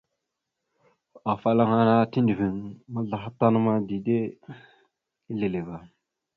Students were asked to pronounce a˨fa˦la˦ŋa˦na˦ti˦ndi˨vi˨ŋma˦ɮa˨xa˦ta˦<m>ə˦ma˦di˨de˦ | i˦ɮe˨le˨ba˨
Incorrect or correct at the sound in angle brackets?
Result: incorrect: n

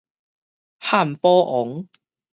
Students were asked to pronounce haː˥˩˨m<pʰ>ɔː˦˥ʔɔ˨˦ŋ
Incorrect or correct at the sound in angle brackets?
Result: incorrect: p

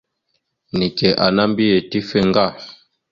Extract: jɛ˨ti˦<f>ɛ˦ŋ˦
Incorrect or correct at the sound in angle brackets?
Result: correct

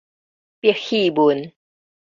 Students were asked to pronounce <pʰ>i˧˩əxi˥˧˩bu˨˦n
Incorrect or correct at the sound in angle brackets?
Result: incorrect: p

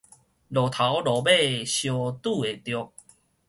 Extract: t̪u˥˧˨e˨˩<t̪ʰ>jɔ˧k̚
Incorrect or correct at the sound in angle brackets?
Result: incorrect: t̪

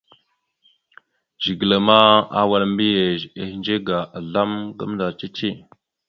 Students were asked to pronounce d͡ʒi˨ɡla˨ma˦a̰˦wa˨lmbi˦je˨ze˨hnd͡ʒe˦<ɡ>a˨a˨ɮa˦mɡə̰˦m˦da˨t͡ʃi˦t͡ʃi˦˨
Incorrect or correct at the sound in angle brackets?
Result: correct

